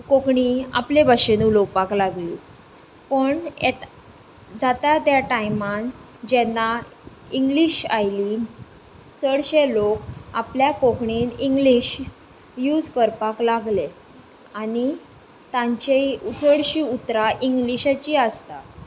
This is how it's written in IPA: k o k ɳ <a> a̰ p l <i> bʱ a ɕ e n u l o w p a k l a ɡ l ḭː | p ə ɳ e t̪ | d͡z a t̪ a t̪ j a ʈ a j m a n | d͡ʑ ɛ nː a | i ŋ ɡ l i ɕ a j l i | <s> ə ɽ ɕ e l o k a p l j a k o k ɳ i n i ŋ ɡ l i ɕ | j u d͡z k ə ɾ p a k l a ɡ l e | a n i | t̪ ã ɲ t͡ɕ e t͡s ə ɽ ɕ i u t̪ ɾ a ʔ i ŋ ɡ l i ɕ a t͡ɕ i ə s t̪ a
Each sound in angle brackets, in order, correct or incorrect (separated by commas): incorrect, incorrect, incorrect